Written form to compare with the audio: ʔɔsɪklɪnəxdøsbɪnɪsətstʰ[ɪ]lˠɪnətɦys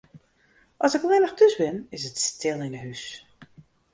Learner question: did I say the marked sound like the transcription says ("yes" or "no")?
yes